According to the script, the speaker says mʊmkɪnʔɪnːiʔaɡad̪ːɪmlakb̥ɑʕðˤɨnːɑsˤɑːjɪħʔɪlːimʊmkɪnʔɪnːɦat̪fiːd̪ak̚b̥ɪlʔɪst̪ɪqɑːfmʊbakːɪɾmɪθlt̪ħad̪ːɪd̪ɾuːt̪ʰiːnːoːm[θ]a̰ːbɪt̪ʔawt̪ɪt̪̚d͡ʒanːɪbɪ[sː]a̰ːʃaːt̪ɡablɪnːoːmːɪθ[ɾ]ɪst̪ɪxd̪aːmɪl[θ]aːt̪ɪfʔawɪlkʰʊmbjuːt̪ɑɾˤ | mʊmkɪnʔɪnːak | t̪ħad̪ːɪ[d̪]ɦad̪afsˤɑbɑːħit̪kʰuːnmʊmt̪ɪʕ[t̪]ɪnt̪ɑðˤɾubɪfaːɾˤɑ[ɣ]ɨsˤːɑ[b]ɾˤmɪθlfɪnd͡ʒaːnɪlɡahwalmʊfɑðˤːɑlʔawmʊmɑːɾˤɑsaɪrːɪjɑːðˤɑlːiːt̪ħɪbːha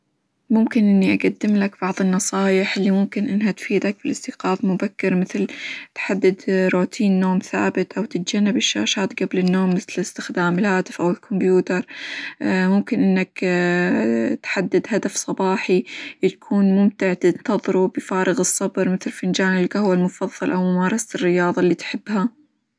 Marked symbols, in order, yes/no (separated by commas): yes, no, no, no, yes, yes, yes, yes